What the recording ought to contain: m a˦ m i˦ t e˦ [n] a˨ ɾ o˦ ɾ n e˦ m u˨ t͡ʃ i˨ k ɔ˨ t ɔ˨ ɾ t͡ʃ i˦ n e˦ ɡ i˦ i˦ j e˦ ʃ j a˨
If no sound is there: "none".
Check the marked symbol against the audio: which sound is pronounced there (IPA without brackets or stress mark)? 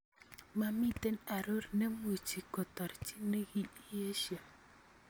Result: n